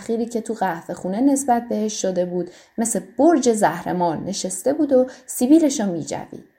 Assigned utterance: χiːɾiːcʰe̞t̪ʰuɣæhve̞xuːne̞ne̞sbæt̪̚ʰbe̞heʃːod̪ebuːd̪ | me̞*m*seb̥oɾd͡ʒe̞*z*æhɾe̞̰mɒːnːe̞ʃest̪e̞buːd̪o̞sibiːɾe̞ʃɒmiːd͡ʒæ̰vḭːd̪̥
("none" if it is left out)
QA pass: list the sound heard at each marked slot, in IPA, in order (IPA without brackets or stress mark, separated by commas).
none, z